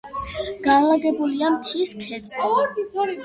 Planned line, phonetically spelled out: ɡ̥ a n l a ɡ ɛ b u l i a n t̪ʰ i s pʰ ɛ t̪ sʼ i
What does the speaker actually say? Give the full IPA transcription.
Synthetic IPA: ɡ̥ a n l a ɡ ɛ b u l i a m t̪ʰ i s kʰ ɛ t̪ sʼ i